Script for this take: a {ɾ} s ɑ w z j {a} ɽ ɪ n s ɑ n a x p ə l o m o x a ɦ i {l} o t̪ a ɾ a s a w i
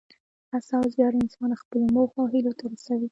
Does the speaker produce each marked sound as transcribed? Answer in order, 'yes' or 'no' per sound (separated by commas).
no, no, yes